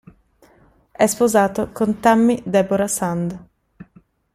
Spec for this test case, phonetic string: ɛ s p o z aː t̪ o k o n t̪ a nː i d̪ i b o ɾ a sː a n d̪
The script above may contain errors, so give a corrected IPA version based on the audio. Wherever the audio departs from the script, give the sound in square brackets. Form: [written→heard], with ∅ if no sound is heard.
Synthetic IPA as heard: ɛ s p o z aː t̪ o k o n t̪ a [nː→mː] i d̪ [i→ɛ] b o ɾ a [sː→s] a n d̪